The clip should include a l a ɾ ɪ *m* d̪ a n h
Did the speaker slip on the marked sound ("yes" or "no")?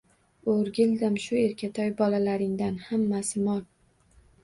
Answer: yes